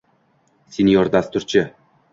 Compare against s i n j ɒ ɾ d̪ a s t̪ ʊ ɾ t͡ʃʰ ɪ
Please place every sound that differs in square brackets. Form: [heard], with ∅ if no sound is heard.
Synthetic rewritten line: s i n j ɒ ɾ d̪ a s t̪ ʊ ɾ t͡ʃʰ ɪ